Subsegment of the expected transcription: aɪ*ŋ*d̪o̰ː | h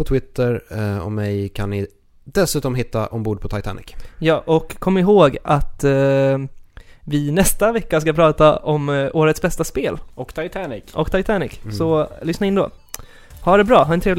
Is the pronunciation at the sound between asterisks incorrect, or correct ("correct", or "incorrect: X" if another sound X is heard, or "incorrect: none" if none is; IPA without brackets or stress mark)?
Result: incorrect: n